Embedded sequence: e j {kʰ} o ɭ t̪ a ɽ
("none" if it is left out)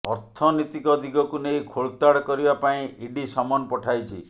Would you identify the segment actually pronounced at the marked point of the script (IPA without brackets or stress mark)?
kʰ